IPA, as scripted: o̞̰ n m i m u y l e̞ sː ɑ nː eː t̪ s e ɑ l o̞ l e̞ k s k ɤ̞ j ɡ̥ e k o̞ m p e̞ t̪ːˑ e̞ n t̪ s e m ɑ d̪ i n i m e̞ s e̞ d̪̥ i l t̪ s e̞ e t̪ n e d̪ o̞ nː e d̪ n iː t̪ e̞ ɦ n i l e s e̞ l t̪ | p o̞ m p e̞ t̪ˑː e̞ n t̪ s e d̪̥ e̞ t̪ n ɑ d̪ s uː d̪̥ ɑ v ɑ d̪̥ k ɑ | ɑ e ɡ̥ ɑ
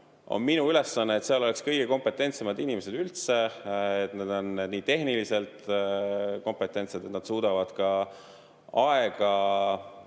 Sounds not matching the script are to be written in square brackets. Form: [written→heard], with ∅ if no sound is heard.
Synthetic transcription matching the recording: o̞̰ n m i [m→n] u y l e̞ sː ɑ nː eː t̪ s e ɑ l o̞ l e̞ k s k ɤ̞ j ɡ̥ e k o̞ m p e̞ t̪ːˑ e̞ n t̪ s e m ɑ d̪ i n i m e̞ s e̞ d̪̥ [i→y] l t̪ s e̞ e t̪ n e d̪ o̞ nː e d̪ n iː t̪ e̞ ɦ n i l [e→i] s e̞ l t̪ | [p→k] o̞ m p e̞ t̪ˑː e̞ n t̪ s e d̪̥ e̞ t̪ n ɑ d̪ s uː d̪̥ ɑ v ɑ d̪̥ k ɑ | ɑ e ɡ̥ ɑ